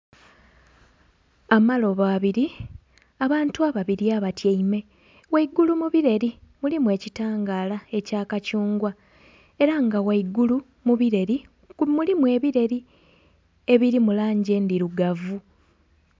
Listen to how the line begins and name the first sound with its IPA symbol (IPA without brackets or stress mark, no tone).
a